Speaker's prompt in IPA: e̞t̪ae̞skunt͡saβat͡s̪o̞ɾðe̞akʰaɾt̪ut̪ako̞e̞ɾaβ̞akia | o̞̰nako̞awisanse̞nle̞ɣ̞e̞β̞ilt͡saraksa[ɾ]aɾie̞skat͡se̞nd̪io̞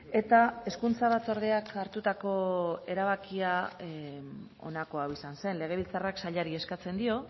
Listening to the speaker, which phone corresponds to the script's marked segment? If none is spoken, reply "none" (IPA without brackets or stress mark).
ʎ